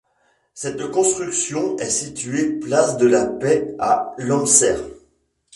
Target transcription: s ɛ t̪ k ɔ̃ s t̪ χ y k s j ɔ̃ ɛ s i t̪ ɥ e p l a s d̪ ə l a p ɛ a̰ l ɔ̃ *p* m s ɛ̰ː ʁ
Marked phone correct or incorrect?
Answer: incorrect